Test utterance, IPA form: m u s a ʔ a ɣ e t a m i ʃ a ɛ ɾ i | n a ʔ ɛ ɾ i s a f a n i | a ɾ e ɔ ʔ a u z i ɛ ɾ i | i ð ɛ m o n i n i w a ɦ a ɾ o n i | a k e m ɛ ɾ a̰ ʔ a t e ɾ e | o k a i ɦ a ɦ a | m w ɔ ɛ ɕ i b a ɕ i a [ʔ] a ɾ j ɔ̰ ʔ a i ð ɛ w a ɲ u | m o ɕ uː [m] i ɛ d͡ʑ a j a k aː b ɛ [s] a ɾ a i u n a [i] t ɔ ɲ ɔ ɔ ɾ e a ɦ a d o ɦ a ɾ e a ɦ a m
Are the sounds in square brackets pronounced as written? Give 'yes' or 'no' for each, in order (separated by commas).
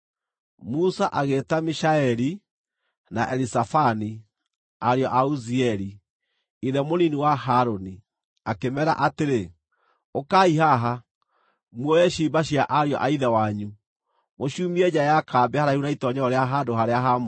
yes, yes, no, yes